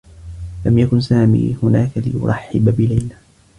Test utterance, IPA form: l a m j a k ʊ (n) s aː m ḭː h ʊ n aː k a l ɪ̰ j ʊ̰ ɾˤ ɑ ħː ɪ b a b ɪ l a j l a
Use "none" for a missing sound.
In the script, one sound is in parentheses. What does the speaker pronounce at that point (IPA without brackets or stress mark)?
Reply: n